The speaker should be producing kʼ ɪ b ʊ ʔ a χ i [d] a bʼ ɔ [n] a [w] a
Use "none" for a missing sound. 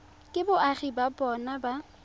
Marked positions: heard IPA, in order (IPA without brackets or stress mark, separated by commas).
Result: b, n, b